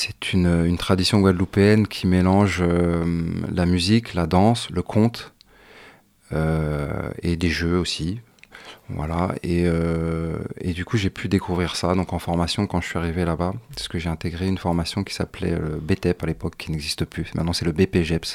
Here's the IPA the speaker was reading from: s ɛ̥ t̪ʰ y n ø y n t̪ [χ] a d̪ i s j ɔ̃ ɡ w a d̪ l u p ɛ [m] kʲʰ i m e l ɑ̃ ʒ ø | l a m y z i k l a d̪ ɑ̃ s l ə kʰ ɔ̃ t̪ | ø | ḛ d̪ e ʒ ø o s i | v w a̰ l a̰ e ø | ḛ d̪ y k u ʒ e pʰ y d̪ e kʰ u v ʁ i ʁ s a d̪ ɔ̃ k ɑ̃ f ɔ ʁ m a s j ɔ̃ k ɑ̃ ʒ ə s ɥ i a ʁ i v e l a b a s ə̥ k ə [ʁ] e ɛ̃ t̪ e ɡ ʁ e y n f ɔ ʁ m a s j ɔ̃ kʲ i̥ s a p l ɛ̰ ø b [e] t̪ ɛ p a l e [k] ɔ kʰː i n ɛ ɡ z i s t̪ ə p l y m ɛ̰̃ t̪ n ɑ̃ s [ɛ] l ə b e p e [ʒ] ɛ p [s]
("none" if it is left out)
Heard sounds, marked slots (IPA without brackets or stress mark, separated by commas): χ, n, ʒ, e, p, ɛ, ʒ, s